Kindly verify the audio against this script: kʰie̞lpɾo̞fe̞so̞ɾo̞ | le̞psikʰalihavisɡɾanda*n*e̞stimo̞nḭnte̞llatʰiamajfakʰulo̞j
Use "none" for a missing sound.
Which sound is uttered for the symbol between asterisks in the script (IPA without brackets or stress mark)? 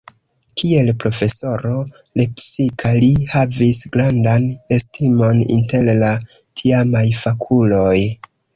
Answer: n